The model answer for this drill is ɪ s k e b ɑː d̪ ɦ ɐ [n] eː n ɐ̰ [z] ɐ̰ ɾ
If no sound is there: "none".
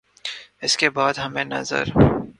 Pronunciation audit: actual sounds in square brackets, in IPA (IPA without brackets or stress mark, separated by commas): m, z